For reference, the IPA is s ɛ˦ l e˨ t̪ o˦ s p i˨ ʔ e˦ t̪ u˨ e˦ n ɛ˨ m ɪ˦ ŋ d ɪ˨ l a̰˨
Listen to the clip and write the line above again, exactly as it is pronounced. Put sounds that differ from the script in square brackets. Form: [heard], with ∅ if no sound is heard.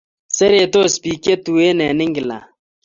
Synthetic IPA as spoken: s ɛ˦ [ɾ] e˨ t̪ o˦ s p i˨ [k] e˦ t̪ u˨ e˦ n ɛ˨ [n] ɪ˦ ŋ [ɡ] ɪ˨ l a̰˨